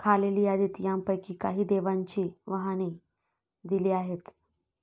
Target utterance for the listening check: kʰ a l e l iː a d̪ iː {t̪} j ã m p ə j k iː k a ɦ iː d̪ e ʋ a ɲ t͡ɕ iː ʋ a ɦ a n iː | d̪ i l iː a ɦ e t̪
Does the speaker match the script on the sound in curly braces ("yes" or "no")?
yes